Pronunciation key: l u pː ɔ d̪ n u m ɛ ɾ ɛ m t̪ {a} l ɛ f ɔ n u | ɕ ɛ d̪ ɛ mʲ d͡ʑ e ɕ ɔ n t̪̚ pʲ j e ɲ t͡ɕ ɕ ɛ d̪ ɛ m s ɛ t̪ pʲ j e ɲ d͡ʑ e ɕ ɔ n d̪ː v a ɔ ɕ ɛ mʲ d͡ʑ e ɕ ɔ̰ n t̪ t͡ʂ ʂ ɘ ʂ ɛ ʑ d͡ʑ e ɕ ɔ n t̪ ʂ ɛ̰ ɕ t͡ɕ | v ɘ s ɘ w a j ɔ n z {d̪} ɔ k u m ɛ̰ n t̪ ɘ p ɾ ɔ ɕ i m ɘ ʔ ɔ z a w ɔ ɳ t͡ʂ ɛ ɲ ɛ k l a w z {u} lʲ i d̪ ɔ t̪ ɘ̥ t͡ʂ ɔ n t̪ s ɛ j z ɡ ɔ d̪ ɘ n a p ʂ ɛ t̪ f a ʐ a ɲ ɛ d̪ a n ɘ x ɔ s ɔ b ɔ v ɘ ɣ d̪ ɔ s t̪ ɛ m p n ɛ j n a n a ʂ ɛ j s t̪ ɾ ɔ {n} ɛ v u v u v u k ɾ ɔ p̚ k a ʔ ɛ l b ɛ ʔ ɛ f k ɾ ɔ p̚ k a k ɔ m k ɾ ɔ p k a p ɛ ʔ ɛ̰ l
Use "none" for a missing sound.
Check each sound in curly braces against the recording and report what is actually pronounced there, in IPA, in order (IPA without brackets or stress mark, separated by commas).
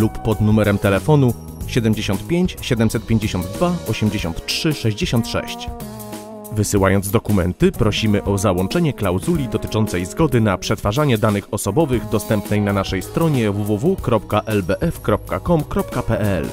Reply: ɛ, d̪, u, ɲ